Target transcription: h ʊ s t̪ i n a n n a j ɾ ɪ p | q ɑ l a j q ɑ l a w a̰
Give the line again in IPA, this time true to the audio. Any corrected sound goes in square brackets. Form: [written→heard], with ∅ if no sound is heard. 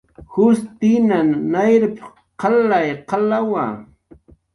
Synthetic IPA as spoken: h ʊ s t̪ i n a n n a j ɾ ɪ p | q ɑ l a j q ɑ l a w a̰